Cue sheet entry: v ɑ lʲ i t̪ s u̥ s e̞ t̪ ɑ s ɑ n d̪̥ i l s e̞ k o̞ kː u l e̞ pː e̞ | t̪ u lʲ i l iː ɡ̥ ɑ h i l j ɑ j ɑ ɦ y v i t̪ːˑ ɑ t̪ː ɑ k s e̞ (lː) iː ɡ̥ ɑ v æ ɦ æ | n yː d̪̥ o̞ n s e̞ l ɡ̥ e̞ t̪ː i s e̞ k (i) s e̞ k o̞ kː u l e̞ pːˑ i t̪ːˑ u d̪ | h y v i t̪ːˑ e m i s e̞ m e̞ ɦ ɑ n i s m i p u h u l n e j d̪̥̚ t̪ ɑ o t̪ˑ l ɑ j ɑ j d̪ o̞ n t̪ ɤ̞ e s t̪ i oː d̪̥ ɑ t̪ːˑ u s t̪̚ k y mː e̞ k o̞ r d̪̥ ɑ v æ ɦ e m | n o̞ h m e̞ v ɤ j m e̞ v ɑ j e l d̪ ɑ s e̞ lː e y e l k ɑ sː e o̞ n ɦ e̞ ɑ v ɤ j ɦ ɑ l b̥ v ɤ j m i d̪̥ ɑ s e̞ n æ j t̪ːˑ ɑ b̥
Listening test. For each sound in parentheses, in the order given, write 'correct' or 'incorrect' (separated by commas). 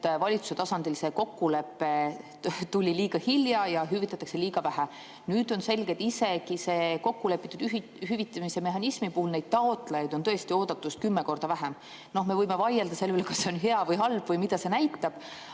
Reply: incorrect, correct